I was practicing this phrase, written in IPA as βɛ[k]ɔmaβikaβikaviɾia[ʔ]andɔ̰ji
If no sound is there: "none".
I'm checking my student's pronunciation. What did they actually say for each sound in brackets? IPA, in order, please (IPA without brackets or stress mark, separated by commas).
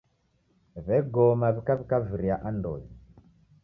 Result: ɡ, ʔ